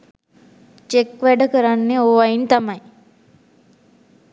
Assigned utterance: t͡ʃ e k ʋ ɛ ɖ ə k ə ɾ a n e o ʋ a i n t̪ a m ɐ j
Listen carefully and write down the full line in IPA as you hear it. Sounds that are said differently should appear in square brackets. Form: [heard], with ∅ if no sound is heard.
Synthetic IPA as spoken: t͡ʃ e k ʋ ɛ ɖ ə k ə ɾ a [nː] e o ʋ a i n t̪ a m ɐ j